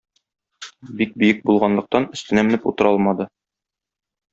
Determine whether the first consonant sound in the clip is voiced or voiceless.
voiced